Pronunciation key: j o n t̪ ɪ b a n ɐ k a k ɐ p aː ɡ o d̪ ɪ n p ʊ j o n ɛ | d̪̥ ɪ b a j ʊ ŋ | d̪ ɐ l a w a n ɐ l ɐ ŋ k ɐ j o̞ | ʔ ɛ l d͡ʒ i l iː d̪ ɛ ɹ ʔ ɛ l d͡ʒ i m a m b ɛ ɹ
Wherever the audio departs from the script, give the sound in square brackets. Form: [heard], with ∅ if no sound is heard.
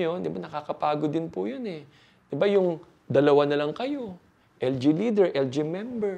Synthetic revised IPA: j o n [d̪] ɪ b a n ɐ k a k ɐ p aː ɡ o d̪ ɪ n p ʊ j o n ɛ | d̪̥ ɪ b a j ʊ ŋ | d̪ ɐ l [ɐ] w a n ɐ l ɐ ŋ k ɐ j o̞ | ʔ ɛ l d͡ʒ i l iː d̪ ɛ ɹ ʔ ɛ l d͡ʒ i m [ɛ] m b ɛ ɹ